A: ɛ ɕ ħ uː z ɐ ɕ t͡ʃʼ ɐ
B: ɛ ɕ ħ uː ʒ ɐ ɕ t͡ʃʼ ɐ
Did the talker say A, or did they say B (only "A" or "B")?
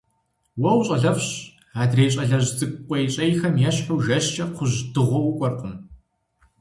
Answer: B